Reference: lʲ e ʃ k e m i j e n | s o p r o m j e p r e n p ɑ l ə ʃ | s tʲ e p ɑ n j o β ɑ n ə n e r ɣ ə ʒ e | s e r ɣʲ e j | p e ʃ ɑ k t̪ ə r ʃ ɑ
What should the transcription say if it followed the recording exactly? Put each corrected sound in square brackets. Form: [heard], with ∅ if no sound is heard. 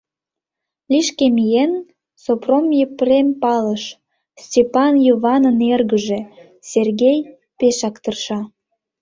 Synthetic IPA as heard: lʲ [i] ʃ k e m i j e n | s o p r o m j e p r e [m] p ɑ l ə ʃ | s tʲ e p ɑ n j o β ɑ n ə n e r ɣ ə ʒ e | s e r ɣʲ e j | p e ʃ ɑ k t̪ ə r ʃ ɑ

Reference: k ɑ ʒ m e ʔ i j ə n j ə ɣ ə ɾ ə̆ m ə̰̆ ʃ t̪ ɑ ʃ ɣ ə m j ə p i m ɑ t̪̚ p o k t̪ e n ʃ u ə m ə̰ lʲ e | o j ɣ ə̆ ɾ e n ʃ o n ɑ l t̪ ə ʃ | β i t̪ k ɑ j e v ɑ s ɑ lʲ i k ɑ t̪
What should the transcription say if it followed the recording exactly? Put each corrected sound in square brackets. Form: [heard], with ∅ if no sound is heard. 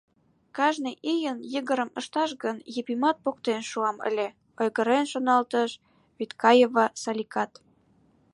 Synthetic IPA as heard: k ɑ ʒ [n] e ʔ i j ə n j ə ɣ ə ɾ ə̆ m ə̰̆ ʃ t̪ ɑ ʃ ɣ ə [n] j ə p i m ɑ t̪̚ p o k t̪ e n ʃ u [ɑ] m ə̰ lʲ e | o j ɣ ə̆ ɾ e n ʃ o n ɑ l t̪ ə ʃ | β i t̪ k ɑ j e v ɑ s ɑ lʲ i k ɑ t̪

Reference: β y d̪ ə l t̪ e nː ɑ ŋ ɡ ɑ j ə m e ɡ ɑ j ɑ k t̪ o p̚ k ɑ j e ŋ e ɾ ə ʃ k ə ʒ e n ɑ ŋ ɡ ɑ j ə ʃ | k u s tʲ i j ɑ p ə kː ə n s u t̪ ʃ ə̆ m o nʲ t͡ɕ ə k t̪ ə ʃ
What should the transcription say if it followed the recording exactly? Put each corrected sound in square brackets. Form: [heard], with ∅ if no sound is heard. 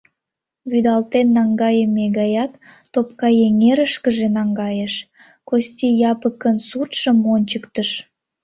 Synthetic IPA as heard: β y d̪ [ɑ] l t̪ e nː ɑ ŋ ɡ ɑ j ə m e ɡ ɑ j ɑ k t̪ o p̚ k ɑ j e ŋ e ɾ ə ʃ k ə ʒ e n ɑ ŋ ɡ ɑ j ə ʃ | k [o] s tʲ i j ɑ p ə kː ə n s u t̪ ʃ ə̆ m o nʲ t͡ɕ ə k t̪ ə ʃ

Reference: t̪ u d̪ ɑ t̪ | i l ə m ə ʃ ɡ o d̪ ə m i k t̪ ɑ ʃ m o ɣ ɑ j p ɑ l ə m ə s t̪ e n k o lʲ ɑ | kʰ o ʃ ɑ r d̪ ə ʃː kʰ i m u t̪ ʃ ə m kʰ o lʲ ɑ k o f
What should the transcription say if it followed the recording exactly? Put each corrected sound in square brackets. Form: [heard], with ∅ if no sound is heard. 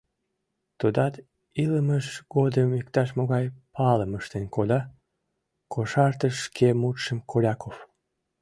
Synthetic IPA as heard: t̪ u d̪ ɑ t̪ | i l ə m ə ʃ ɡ o d̪ ə m i k t̪ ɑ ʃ m o ɣ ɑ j p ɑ l ə m ə [ʃ] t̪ e n k o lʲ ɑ | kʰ o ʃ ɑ r [t̪] ə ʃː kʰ [e] m u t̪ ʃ ə m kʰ o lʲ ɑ k o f

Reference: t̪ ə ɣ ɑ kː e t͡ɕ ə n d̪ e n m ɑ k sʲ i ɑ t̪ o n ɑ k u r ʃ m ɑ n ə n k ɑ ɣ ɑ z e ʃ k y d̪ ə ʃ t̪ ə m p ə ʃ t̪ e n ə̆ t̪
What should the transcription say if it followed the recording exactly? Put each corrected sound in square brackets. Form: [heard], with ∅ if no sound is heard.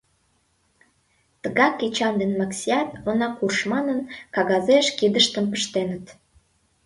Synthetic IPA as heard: t̪ ə ɣ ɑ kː e t͡ɕ [ɑ] n d̪ e n m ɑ k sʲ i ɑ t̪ o n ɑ k u r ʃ m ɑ n ə n k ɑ ɣ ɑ z e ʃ k [i] d̪ ə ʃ t̪ ə m p ə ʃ t̪ e n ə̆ t̪

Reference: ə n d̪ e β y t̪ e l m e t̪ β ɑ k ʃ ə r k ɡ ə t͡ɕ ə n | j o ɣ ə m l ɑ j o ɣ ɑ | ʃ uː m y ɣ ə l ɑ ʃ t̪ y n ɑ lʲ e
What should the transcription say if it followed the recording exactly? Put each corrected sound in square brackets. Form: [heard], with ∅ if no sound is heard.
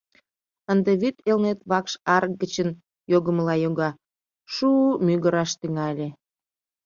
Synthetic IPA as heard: ə n d̪ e β y t̪ e l [n] e t̪ β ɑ k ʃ [ɑ] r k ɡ ə t͡ɕ ə n | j o ɣ ə m l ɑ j o ɣ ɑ | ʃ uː m y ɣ ə [ɾ] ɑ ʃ t̪ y [ŋ] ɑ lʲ e

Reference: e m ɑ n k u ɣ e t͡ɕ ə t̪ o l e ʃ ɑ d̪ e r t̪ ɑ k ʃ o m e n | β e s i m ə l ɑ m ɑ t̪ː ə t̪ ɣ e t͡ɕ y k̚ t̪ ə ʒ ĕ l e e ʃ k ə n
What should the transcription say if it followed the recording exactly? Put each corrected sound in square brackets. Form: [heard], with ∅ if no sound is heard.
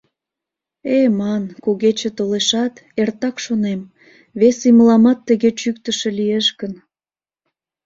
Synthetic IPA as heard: e m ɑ n k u ɣ e t͡ɕ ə t̪ o l e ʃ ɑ [t̪] e r t̪ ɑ k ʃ o [n] e [m] | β e s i m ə l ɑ m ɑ t̪ː ə [∅] ɣ e t͡ɕ y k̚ t̪ ə [ʃ] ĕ l [i] e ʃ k ə n

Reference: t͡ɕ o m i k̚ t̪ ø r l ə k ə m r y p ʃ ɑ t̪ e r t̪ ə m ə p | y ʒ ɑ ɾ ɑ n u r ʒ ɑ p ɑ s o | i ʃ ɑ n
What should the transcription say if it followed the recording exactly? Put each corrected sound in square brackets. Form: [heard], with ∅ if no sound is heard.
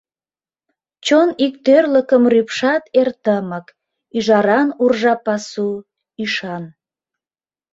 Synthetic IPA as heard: t͡ɕ o [n] i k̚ t̪ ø r l ə k ə m r y p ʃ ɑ t̪ e r t̪ ə m ə [k] | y ʒ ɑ ɾ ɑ n u r ʒ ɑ p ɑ s [u] | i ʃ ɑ n

